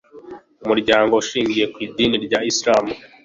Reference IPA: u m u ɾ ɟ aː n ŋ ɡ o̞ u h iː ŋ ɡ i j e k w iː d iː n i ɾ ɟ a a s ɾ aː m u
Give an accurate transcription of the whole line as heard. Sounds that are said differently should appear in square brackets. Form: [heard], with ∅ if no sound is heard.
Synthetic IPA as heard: u m u ɾ ɟ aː [∅] ŋ ɡ o̞ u [ʃ] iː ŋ ɡ i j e k w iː d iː n i ɾ ɟ a [i] s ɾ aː m u